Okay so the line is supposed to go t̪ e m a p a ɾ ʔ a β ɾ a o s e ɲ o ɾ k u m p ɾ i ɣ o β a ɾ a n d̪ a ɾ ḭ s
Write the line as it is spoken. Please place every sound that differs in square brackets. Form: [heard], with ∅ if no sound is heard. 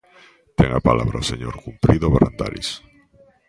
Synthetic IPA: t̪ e [ŋ] a p a [l] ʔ a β ɾ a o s e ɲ o ɾ k u m p ɾ i [ð] o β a ɾ a n d̪ a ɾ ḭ s